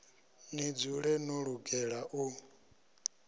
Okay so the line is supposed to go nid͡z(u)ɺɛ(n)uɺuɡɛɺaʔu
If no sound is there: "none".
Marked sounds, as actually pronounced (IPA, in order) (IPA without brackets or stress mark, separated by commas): u, n